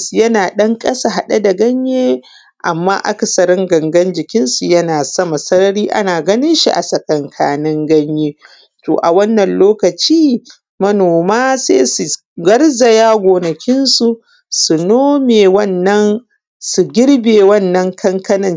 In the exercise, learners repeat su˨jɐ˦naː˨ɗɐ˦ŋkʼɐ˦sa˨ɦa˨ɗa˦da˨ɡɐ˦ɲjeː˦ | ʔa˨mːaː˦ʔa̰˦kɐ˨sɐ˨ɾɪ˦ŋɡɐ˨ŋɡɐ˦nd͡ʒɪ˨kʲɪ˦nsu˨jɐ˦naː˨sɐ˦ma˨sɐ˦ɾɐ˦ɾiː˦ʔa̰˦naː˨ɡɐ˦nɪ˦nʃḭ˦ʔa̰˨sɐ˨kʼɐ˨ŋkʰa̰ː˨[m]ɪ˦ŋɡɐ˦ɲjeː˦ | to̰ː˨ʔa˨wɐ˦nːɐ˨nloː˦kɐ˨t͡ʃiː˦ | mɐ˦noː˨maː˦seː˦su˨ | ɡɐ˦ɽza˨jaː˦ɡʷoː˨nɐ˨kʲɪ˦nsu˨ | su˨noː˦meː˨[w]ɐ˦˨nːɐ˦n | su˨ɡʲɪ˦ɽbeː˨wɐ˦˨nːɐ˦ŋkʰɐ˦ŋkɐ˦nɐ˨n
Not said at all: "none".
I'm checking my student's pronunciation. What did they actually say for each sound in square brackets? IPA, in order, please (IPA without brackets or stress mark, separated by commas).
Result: n, w